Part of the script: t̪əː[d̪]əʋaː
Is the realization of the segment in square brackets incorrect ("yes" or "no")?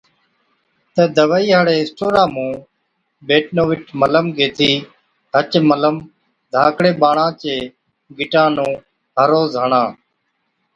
no